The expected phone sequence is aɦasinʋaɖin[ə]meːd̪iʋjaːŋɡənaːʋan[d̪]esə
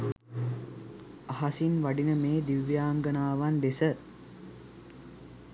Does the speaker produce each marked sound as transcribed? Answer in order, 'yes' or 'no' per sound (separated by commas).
yes, yes